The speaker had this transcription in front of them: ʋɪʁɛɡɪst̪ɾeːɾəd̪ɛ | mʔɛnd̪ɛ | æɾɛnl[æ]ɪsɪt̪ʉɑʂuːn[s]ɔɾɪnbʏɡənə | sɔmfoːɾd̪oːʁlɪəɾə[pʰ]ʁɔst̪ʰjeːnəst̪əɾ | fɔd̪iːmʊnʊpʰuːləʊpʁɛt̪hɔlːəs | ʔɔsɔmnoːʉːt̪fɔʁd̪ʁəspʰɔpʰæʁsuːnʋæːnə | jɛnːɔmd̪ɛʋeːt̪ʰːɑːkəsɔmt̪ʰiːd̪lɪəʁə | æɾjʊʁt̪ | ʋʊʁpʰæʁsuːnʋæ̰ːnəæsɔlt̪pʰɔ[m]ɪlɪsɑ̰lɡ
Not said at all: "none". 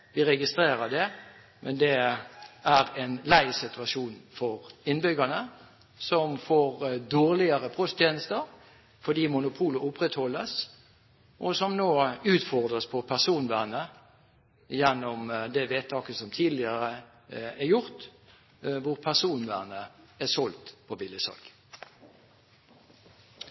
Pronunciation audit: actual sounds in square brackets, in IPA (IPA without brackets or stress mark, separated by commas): æ, f, pʰ, b